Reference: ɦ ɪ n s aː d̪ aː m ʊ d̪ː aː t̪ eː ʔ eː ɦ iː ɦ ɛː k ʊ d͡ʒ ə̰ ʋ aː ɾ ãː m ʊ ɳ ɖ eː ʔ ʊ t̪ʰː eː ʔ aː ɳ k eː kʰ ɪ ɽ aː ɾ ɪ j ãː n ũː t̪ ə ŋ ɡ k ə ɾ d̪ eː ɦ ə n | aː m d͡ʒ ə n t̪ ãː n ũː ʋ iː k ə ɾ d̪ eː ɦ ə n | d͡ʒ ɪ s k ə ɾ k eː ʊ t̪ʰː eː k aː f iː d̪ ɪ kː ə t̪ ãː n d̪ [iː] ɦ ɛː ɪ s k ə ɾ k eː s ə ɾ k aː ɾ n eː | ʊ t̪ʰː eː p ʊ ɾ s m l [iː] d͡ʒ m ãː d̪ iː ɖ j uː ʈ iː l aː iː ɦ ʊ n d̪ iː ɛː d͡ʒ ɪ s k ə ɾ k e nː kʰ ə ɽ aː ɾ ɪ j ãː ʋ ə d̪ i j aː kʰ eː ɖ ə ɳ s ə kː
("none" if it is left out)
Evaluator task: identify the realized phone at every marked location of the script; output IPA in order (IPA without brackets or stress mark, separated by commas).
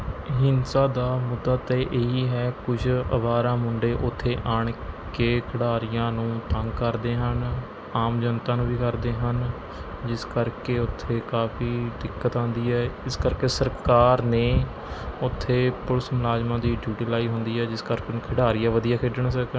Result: iː, aː